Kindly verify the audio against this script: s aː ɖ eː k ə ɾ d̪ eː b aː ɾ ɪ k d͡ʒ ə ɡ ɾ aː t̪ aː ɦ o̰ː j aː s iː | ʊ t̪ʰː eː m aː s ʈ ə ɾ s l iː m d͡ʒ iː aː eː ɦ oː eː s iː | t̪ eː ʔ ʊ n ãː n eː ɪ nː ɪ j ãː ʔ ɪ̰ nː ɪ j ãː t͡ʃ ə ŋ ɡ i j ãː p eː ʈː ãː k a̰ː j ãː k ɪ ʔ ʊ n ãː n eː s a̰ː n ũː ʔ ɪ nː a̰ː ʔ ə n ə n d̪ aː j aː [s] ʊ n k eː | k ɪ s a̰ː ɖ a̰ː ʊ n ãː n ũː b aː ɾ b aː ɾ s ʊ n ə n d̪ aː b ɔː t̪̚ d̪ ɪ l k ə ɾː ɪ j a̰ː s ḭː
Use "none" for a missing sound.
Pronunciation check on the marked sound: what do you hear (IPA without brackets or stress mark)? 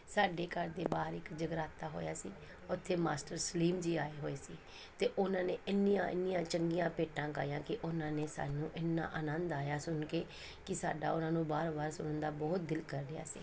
s